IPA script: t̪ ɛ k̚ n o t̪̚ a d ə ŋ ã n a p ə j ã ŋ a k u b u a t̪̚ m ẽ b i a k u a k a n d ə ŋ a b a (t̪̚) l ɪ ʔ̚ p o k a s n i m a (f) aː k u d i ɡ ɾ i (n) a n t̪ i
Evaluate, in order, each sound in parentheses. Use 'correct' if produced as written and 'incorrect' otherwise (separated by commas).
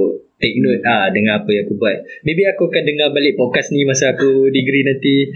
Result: incorrect, incorrect, correct